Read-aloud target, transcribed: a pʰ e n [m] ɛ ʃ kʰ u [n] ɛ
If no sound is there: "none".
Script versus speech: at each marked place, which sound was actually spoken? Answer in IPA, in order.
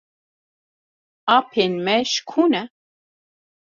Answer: m, n

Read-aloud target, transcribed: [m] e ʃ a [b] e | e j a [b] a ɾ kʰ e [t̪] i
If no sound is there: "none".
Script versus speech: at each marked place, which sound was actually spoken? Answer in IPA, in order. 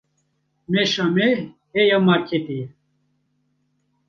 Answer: m, m, m, t̪

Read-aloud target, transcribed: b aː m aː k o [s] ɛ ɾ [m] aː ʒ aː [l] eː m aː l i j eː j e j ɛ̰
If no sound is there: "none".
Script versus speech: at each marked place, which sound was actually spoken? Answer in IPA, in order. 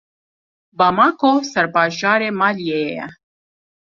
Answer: s, b, ɾ

